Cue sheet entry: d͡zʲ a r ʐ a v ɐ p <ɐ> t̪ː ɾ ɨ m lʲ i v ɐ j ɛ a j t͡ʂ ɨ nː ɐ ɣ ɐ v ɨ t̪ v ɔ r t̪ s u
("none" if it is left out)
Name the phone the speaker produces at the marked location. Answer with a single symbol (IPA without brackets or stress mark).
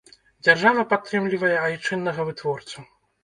a